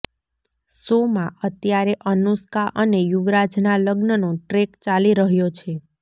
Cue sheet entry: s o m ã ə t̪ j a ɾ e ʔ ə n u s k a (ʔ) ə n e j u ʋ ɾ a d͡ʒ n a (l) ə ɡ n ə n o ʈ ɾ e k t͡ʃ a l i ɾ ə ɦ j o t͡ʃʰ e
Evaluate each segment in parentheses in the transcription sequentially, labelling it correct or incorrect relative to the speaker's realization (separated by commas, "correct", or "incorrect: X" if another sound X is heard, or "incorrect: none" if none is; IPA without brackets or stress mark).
correct, correct